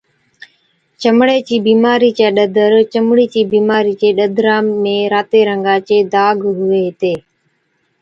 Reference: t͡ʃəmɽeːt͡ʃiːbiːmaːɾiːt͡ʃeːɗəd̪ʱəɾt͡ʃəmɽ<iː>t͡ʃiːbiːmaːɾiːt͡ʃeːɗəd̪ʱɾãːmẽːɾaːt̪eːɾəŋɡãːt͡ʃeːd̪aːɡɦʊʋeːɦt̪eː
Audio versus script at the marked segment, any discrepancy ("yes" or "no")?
no